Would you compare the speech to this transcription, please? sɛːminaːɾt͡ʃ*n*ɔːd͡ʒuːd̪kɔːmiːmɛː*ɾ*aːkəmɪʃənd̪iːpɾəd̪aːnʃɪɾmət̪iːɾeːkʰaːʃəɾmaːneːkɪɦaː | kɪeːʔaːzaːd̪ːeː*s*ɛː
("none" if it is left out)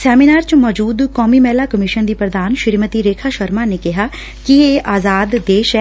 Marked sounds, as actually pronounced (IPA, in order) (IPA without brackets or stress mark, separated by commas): m, l, ʃ